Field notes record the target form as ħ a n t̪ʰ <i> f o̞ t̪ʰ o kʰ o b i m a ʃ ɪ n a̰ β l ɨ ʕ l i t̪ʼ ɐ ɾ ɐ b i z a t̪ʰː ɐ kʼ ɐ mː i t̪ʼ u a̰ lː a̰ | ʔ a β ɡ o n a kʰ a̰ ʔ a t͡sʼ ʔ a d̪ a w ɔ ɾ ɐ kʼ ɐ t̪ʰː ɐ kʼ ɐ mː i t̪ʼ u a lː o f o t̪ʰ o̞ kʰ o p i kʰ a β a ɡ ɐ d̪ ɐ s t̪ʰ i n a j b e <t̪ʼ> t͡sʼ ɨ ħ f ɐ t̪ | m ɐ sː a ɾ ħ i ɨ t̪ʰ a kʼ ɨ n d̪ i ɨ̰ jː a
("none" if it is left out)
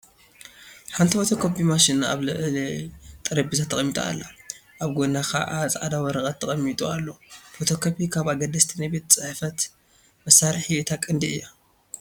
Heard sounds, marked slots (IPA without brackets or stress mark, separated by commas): i, t̪